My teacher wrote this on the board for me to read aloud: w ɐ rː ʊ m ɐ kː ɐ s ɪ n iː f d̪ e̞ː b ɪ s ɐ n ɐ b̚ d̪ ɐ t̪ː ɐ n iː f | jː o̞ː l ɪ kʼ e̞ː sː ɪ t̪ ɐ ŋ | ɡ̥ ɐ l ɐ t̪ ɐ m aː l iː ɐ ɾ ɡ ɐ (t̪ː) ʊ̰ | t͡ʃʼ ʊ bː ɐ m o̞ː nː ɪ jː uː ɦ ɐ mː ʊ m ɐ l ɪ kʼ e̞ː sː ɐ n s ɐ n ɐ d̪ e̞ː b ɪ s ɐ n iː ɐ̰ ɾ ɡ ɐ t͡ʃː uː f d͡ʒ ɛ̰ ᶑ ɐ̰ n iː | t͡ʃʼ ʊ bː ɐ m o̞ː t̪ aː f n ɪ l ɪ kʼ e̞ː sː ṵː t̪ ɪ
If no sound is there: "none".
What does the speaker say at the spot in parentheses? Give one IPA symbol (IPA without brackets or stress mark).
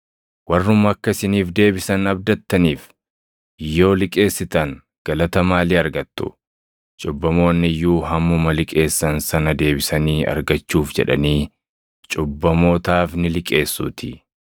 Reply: t̪ː